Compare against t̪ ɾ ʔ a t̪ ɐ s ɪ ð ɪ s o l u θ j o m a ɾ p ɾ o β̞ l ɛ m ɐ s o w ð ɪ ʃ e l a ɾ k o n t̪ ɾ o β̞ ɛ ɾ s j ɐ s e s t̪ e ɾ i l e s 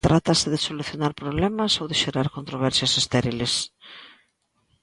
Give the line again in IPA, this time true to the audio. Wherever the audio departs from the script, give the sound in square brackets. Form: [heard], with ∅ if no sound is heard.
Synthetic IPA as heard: t̪ ɾ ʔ a t̪ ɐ s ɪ ð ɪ s o l u θ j o [n] a ɾ p ɾ o β̞ l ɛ m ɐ s o w ð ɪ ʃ e [ɾ] a ɾ k o n t̪ ɾ o β̞ ɛ ɾ s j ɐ s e s t̪ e ɾ i l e s